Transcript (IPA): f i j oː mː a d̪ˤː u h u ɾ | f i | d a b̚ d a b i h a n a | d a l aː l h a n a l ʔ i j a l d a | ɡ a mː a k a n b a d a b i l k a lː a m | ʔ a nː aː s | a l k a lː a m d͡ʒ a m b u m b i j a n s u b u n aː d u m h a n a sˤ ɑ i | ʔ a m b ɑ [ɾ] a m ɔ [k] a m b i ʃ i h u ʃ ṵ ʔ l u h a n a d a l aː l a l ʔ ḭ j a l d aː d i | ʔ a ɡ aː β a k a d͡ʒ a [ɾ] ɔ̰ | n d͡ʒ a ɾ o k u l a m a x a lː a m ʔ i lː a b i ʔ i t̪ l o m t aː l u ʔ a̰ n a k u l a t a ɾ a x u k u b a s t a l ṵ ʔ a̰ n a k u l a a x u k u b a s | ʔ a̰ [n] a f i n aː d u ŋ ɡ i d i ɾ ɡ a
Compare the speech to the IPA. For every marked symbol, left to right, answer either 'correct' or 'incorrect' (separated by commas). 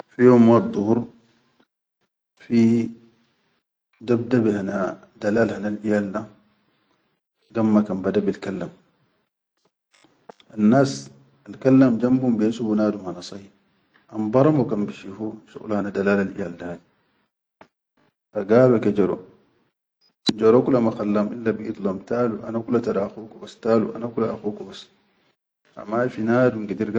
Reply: correct, correct, correct, incorrect